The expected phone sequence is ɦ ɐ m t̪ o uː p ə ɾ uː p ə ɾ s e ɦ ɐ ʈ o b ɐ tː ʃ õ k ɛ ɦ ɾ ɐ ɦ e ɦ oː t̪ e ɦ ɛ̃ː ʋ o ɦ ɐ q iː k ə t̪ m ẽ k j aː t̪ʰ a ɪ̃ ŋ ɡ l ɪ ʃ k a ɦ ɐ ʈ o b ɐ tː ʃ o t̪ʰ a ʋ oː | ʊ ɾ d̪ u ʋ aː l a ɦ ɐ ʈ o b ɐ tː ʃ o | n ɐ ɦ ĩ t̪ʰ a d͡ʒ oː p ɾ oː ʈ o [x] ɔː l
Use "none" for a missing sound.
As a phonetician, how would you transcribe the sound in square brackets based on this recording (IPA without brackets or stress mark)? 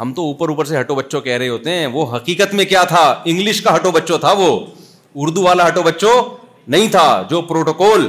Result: k